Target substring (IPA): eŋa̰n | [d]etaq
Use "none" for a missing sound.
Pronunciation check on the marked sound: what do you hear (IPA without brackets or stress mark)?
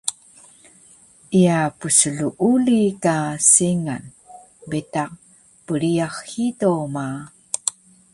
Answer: b